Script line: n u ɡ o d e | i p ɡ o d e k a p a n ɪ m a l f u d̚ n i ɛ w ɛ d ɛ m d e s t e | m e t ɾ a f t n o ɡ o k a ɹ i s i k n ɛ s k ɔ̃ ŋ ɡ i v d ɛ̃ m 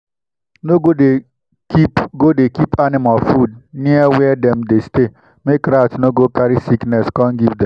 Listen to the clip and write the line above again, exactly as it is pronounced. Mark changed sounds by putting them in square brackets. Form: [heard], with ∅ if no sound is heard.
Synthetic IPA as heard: n [o] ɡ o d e | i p ɡ o d e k [i] p a n ɪ m a l f u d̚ n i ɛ w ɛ d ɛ m d e s t e | m e [k] ɾ a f t n o ɡ o k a [ɾ] i s i k n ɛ s k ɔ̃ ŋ ɡ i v d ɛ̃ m